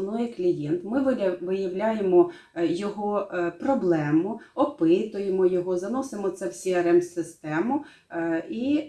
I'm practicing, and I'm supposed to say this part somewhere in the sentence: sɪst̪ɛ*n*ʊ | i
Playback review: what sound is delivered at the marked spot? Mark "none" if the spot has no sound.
m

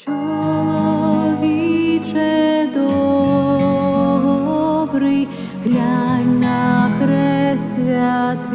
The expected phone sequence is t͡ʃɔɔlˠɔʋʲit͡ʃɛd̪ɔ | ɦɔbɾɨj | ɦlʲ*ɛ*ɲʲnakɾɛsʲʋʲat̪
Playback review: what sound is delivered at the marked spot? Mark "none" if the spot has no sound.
a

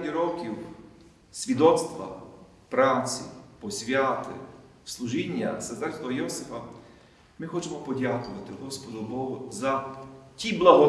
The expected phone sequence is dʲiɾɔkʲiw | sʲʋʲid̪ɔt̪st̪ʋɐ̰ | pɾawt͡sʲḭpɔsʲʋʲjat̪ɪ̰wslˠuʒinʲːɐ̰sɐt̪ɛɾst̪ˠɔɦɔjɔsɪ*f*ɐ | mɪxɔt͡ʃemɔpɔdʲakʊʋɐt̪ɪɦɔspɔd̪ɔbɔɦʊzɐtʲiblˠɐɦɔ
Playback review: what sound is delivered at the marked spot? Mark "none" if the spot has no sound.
f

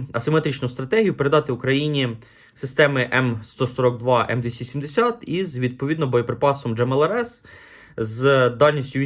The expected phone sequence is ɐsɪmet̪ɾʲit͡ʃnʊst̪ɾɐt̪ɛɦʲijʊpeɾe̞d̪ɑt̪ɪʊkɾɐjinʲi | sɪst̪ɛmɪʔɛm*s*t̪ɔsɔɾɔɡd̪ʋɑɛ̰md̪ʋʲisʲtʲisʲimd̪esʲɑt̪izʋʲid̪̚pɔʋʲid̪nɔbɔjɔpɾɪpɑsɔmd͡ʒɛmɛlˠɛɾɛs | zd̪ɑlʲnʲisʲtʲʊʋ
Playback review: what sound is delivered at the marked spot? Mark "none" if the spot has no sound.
s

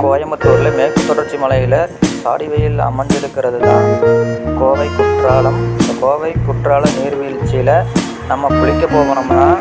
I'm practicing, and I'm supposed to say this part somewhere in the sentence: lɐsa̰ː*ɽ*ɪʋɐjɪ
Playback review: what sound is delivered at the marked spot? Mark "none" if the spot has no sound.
ɽ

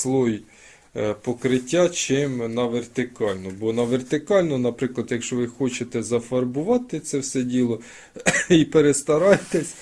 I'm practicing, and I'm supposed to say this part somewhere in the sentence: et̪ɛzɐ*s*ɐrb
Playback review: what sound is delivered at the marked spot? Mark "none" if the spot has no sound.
f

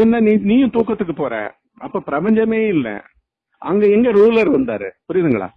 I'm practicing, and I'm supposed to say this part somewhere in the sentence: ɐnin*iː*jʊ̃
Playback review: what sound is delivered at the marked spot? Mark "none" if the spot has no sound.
iː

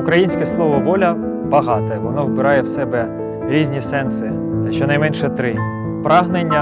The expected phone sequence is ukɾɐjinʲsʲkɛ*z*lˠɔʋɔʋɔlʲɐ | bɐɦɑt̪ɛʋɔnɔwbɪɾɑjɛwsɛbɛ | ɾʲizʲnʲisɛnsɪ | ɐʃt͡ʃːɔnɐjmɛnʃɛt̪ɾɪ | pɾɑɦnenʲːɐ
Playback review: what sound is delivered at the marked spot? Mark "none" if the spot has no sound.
s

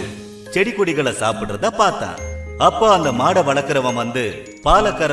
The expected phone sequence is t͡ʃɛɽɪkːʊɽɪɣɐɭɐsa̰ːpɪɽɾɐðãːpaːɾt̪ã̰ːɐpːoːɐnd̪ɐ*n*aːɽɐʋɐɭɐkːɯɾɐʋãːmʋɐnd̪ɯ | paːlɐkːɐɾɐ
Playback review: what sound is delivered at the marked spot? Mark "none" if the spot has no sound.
m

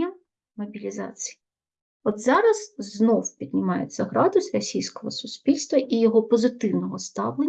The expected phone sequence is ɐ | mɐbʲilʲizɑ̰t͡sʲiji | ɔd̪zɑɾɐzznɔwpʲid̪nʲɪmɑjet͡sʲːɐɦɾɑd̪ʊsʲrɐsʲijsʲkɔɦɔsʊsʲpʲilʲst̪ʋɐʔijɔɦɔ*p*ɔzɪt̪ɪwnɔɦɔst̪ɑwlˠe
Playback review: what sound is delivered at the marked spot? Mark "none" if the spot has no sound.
p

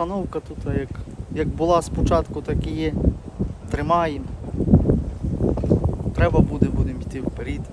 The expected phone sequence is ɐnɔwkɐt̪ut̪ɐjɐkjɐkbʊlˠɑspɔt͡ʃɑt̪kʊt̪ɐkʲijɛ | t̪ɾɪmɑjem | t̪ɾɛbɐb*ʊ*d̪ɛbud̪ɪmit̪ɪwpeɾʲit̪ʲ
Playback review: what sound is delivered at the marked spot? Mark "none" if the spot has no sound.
u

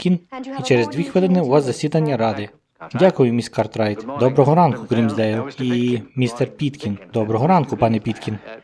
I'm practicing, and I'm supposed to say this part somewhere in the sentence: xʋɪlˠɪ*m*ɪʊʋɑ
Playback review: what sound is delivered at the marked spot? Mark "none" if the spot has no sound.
n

